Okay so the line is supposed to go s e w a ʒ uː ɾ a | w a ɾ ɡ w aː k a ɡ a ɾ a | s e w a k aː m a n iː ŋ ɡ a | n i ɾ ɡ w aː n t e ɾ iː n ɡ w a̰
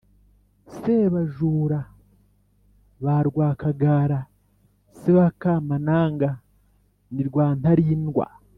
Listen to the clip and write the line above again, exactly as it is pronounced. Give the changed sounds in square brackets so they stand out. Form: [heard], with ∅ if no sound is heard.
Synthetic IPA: s e [β] a ʒ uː ɾ a | [β] a ɾ ɡ w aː k a ɡ a ɾ a | s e [β] a k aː m a n [aː] ŋ ɡ a | n i ɾ ɡ w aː n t [a] ɾ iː n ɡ w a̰